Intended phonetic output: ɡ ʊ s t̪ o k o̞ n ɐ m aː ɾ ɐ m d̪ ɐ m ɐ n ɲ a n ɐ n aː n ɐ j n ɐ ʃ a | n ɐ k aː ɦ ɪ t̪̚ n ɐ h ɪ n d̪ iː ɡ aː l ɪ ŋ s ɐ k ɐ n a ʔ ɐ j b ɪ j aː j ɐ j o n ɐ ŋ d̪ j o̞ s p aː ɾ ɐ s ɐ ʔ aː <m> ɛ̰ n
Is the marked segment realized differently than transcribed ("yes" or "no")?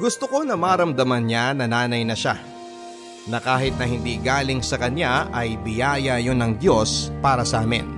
no